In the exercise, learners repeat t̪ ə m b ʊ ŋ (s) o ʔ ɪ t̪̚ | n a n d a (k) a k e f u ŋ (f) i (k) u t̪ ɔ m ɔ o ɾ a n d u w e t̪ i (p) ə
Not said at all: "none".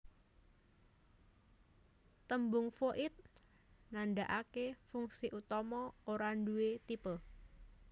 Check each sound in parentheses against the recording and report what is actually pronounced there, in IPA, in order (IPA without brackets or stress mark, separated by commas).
f, ʔ, s, ʔ, p